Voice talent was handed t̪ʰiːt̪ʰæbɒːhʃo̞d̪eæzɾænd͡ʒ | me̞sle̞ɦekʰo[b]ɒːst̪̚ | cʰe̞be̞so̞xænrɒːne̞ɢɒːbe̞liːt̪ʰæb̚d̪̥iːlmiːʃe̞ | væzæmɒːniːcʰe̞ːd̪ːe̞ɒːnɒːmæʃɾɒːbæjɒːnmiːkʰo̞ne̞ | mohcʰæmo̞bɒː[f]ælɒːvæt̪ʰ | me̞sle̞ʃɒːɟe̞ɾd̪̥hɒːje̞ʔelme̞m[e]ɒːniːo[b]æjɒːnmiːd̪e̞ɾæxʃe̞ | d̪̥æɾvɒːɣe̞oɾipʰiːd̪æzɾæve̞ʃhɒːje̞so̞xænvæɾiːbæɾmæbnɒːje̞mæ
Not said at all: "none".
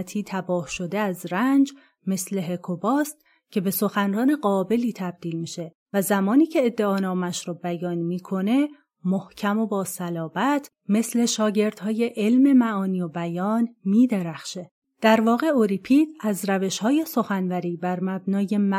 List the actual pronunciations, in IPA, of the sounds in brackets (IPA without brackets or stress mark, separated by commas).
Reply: b, s, æ, b